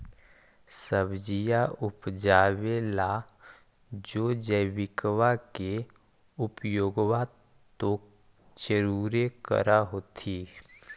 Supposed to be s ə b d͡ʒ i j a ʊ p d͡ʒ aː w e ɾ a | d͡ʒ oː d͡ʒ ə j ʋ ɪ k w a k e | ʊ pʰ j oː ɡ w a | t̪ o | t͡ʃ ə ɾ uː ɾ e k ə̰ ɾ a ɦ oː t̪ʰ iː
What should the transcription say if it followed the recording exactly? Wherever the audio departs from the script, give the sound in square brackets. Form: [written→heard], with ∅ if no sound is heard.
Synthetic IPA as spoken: s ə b d͡ʒ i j a ʊ p d͡ʒ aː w e [ɾ→l] a | d͡ʒ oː d͡ʒ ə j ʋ ɪ k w a k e | ʊ [pʰ→p] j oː ɡ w a | t̪ o | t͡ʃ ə ɾ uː ɾ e k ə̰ ɾ a ɦ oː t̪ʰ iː